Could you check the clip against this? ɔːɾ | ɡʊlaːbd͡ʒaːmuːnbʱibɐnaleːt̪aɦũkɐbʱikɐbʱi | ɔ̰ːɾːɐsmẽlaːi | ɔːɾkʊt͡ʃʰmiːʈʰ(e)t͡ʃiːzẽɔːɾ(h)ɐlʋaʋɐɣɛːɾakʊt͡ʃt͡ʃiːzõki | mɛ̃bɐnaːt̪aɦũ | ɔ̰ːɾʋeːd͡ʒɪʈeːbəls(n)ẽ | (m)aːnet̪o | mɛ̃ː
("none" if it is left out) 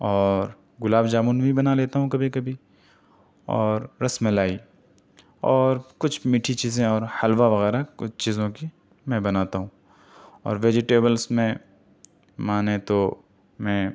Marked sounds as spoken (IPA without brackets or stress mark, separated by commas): i, h, m, m